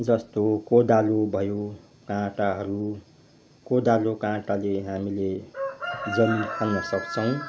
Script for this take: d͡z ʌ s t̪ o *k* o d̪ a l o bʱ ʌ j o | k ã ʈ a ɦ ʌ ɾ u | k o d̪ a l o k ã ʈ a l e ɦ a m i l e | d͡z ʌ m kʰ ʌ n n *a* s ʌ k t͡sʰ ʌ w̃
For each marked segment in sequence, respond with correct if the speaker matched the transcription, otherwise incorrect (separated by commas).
correct, incorrect